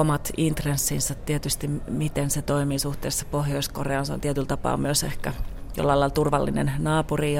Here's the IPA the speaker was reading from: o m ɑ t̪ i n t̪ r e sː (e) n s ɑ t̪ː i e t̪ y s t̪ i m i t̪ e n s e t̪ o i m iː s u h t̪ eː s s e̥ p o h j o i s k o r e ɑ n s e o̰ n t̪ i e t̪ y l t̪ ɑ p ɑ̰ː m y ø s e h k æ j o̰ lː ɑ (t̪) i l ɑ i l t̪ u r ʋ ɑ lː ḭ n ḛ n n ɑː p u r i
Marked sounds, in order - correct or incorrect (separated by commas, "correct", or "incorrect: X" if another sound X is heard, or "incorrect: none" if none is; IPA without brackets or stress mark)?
incorrect: i, incorrect: none